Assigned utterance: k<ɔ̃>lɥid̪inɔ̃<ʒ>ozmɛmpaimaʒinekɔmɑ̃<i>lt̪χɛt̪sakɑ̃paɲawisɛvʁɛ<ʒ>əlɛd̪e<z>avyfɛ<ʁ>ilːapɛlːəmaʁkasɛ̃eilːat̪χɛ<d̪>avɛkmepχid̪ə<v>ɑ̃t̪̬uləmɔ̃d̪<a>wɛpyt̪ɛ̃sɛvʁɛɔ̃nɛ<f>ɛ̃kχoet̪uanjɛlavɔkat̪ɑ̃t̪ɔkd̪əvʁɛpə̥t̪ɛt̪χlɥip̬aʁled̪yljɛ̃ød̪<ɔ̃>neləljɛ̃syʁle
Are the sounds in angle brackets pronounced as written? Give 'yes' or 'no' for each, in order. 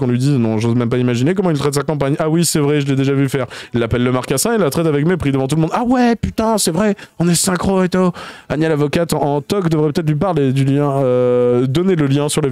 yes, yes, yes, yes, no, yes, no, yes, yes, no, no

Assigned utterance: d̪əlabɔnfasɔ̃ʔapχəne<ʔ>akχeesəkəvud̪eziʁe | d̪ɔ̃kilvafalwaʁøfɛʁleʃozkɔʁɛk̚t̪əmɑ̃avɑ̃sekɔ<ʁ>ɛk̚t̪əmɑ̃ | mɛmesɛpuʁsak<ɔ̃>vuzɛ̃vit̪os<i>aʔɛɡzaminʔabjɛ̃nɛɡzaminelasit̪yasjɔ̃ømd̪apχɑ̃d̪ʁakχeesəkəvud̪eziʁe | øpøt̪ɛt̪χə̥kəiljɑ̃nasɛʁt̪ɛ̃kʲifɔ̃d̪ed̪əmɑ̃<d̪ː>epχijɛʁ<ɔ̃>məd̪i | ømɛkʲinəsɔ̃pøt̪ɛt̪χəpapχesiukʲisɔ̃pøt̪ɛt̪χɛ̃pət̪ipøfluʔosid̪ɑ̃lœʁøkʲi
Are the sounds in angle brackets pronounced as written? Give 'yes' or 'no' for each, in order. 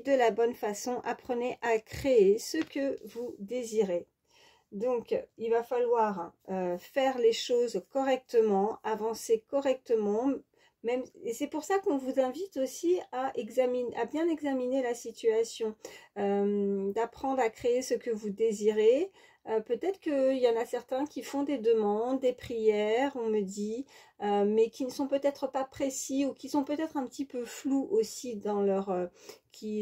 yes, yes, yes, yes, yes, yes

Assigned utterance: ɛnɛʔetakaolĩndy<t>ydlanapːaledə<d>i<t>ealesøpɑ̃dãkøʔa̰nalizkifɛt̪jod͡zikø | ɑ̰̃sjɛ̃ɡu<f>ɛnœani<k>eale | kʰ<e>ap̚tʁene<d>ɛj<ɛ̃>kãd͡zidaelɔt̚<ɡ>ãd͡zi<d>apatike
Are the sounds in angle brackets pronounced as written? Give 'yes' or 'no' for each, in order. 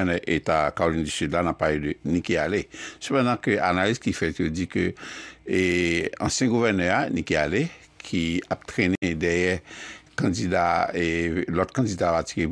no, no, no, no, yes, no, yes, no, no, yes

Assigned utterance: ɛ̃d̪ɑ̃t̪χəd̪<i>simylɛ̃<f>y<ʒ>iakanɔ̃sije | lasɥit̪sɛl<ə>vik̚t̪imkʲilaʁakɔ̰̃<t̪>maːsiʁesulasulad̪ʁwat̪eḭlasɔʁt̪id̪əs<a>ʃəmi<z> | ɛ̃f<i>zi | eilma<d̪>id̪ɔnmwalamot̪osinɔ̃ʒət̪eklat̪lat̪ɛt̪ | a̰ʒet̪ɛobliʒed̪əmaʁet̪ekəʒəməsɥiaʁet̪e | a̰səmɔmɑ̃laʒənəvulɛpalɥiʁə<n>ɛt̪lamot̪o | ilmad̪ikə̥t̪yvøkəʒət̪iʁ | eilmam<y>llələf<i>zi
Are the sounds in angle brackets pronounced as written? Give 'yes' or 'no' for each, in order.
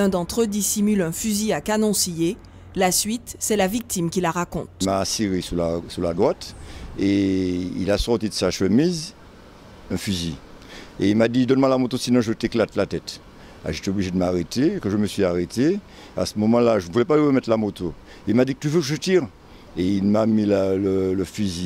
yes, yes, no, no, yes, yes, yes, no, yes, no, no, no

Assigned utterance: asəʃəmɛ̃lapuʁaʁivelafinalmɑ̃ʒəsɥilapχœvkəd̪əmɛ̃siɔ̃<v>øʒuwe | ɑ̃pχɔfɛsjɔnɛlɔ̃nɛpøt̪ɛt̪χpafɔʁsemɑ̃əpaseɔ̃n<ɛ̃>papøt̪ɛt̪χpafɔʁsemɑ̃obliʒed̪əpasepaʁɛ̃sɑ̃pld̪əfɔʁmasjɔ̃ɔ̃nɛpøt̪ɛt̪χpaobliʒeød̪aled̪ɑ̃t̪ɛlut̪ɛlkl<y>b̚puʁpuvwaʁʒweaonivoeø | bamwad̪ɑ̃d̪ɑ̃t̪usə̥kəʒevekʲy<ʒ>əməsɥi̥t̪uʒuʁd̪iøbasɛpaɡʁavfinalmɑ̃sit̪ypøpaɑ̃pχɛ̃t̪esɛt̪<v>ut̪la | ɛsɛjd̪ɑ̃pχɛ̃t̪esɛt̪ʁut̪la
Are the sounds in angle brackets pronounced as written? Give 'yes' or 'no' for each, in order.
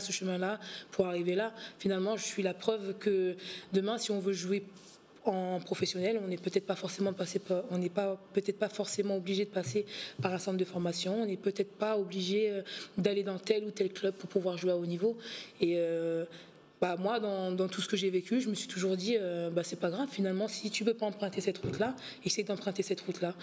yes, no, no, yes, no

